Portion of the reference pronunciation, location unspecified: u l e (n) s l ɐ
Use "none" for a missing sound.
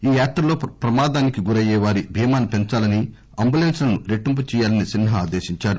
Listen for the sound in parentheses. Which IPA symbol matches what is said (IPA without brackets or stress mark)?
n